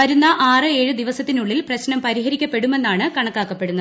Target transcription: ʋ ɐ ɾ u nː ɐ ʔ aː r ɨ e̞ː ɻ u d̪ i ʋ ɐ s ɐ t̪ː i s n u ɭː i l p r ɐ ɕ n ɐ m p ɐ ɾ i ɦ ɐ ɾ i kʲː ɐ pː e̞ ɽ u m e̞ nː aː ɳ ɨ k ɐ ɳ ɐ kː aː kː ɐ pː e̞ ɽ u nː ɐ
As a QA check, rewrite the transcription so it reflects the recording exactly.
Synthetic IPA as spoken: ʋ ɐ ɾ u nː ɐ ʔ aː r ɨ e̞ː ɻ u d̪ i ʋ ɐ s ɐ t̪ː i n u ɭː i l p r ɐ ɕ n ɐ m p ɐ ɾ i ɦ ɐ ɾ i kʲː ɐ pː e̞ ɽ u m e̞ nː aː ɳ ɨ k ɐ ɳ ɐ kː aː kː ɐ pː e̞ ɽ u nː ɐ